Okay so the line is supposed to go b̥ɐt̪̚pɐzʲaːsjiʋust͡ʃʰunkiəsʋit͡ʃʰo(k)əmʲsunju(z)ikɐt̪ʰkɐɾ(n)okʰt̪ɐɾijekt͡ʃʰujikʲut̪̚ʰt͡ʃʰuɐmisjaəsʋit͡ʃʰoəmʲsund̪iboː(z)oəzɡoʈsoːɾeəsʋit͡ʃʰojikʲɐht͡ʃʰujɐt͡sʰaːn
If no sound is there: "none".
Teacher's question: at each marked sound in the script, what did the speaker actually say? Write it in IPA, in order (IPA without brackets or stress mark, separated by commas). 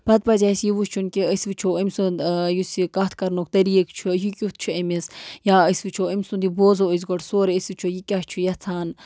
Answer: none, s, n, z